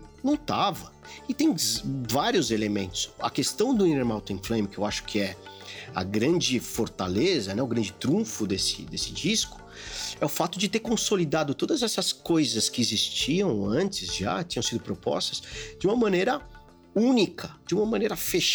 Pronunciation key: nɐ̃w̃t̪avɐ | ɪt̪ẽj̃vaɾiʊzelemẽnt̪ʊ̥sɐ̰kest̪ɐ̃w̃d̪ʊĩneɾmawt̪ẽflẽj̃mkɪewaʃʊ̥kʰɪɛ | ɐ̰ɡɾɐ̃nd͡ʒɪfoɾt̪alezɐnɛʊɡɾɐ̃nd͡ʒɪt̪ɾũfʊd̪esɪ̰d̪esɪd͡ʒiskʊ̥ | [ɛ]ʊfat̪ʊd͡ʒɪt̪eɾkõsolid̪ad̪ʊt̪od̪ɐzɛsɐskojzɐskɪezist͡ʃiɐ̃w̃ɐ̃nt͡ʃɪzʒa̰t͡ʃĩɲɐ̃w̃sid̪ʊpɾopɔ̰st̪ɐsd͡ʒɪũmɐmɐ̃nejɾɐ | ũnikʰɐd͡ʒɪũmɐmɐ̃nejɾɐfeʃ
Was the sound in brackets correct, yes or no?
yes